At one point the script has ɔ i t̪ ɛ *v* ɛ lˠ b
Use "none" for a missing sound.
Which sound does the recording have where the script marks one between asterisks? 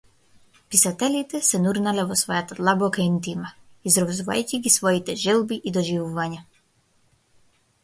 ʒ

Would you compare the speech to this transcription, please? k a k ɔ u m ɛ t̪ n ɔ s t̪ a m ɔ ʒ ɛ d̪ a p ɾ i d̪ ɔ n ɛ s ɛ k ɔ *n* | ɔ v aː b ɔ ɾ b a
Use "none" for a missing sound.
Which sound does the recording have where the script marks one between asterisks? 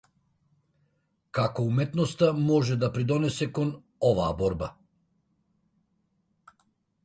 n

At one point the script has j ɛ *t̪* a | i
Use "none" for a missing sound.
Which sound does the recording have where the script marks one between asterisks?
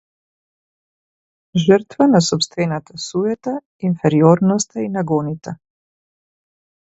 t̪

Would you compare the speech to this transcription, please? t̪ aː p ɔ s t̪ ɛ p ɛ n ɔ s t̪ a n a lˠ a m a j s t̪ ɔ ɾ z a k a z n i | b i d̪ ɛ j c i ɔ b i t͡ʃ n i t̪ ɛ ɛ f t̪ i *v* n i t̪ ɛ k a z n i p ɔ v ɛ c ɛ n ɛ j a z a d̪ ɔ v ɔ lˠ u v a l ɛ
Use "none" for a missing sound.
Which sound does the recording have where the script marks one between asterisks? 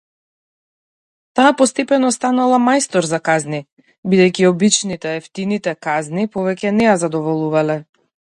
none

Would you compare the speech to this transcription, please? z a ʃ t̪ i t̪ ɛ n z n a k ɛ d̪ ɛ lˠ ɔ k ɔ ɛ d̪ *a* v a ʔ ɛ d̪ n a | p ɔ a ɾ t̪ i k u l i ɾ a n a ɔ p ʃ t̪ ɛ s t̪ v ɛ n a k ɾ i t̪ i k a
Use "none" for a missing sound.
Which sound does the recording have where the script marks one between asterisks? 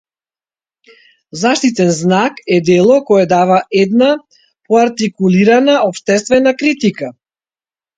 a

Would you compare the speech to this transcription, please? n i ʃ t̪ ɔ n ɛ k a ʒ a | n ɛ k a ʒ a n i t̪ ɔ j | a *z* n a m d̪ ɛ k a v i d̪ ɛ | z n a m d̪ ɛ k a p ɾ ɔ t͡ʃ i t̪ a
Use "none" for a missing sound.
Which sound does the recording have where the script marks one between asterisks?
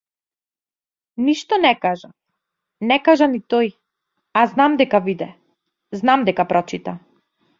z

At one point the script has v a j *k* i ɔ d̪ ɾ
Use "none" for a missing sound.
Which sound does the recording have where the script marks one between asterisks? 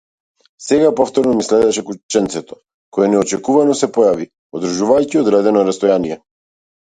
c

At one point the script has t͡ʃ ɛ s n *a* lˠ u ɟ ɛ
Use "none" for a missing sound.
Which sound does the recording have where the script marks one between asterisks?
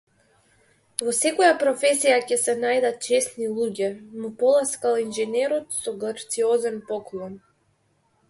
i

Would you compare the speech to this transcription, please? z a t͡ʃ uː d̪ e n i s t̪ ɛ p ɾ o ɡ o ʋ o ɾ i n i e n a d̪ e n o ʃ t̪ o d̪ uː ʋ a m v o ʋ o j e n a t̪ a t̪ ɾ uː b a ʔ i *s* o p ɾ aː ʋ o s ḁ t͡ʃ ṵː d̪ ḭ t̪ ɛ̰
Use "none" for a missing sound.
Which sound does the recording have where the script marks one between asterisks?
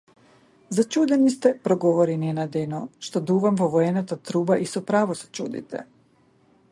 s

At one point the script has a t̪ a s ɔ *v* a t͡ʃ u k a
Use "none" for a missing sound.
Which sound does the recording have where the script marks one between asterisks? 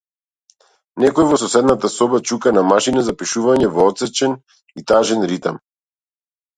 b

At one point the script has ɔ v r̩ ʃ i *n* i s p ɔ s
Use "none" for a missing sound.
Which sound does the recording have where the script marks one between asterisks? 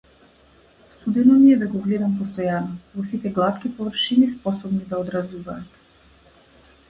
n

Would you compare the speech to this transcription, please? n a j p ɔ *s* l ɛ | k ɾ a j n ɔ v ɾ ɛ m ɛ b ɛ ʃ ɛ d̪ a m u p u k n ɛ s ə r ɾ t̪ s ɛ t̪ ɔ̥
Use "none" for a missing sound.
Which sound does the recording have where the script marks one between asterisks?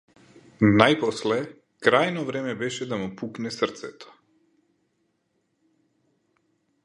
s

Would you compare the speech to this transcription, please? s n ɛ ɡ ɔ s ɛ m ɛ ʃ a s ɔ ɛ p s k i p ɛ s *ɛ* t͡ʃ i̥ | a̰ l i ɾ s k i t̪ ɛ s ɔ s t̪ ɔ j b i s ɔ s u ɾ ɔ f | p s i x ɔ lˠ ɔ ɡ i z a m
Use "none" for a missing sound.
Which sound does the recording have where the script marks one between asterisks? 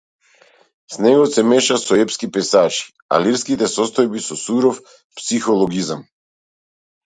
a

